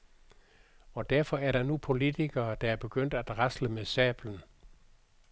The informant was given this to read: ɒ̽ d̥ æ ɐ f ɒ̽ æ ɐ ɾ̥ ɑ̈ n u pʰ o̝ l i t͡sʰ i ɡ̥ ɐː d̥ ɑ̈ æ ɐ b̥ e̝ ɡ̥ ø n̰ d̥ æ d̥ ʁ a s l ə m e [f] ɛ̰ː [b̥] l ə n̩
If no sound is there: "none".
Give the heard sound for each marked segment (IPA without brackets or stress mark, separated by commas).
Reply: s, b̥